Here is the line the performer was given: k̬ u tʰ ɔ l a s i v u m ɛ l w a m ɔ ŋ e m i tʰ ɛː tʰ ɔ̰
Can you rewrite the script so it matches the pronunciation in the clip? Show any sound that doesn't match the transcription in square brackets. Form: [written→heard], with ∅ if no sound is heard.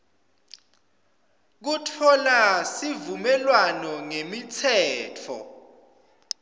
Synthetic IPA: k̬ u tʰ ɔ l a s i v u m ɛ l w a [m→n] ɔ ŋ e m i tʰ ɛː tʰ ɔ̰